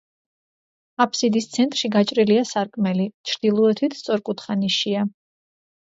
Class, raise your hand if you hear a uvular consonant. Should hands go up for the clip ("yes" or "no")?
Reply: yes